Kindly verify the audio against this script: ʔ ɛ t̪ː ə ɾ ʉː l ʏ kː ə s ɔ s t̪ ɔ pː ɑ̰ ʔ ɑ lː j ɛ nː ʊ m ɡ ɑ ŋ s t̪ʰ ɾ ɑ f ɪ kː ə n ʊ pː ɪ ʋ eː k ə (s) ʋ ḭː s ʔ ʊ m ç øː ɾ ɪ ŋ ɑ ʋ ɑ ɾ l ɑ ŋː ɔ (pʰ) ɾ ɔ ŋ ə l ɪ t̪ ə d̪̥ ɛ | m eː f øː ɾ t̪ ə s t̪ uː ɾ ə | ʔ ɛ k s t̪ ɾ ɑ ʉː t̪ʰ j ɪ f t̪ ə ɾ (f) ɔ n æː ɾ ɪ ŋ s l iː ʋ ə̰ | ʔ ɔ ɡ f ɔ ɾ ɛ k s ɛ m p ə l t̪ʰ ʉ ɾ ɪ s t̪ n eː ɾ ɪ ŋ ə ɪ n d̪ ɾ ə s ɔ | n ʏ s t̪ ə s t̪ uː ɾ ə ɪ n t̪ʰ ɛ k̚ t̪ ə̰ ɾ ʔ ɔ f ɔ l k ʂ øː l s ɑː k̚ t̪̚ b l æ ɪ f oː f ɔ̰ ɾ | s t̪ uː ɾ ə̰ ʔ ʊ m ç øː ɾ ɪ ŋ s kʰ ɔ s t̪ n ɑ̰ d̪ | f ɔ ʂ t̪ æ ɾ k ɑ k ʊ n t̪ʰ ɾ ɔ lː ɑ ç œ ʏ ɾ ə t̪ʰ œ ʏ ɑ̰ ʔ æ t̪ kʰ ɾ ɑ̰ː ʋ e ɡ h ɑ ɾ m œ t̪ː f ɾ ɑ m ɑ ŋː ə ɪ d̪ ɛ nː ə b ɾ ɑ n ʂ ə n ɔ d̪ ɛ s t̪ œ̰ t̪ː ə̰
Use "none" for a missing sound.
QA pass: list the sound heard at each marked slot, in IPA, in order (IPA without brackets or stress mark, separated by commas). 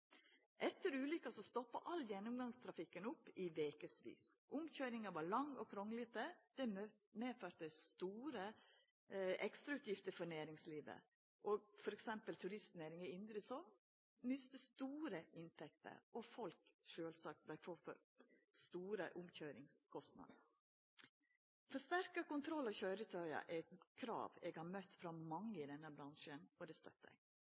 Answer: s, kʰ, f